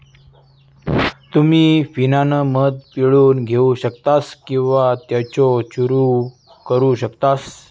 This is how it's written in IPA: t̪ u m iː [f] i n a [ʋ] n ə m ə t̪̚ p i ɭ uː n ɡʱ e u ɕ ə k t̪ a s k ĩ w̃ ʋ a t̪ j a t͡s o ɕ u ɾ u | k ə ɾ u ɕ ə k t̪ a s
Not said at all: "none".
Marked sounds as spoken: f, none

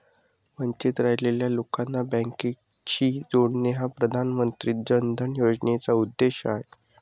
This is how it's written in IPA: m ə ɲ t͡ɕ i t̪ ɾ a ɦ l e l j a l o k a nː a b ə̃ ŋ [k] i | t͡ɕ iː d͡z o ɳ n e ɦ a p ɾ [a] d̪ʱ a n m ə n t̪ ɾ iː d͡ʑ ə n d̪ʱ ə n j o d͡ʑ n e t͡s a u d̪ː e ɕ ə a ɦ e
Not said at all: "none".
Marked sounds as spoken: k, ə

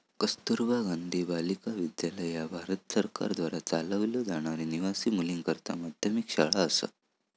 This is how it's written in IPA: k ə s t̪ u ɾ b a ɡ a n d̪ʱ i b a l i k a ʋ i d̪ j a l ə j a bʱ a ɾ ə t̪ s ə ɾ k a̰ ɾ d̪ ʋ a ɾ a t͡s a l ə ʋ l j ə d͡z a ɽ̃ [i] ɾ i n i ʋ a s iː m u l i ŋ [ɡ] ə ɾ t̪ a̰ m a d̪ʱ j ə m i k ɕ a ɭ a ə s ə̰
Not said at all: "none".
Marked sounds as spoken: a, k

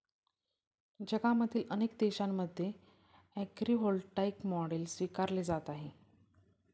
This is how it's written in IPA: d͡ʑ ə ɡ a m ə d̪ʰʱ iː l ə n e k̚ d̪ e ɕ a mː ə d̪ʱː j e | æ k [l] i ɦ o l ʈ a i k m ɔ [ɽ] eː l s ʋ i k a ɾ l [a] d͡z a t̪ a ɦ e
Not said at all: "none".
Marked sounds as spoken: ɾ, ɽ, e

